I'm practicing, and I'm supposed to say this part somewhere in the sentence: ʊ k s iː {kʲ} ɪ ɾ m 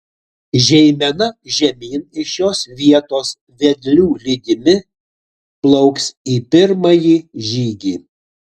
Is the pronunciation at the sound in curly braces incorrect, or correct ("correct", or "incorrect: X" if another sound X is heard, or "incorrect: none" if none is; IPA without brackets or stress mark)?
incorrect: pʲ